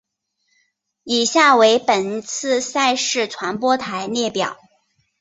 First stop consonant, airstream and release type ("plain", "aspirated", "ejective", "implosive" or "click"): plain